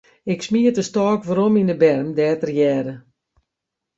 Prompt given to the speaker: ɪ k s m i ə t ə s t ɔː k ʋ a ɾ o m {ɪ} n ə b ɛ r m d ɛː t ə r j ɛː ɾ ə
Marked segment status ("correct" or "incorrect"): incorrect